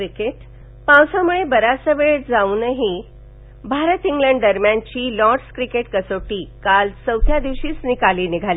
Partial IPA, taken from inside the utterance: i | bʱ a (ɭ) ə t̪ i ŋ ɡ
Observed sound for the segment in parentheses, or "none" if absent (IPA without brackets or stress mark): ɾ